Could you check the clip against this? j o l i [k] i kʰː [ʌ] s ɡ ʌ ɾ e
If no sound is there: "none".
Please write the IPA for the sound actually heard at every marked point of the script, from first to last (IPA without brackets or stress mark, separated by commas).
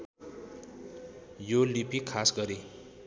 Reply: p, a